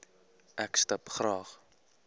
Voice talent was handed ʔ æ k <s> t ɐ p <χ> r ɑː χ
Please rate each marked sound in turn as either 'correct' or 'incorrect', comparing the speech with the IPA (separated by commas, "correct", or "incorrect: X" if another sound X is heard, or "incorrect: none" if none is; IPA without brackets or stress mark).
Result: correct, correct